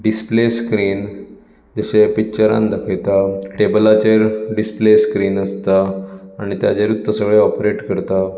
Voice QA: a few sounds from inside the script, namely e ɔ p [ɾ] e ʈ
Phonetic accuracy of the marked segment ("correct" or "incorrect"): correct